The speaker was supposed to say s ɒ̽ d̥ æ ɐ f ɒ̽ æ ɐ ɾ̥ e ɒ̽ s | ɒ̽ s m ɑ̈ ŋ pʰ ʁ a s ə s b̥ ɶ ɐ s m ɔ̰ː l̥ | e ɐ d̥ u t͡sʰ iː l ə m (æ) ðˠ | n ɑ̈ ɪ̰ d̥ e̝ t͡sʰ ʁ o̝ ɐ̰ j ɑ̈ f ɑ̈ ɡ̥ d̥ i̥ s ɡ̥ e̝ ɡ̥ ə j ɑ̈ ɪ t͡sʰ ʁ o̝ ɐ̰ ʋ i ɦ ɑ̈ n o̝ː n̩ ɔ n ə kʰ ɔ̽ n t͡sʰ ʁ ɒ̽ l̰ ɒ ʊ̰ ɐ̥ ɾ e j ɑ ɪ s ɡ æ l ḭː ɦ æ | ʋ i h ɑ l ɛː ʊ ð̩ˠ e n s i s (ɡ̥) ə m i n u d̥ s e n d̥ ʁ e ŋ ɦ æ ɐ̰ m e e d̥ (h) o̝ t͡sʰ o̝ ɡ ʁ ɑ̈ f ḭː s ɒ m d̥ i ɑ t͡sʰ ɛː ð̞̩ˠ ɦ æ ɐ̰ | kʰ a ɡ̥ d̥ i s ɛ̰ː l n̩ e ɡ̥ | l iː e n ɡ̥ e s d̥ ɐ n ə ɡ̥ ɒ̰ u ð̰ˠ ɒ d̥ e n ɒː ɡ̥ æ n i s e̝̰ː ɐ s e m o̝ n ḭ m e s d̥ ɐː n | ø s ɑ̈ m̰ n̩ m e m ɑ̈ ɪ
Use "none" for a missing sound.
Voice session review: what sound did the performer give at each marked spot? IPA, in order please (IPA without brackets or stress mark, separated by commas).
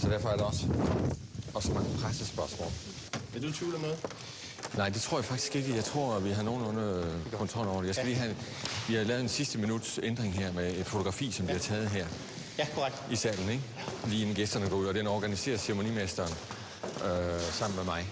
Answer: e, d̥, f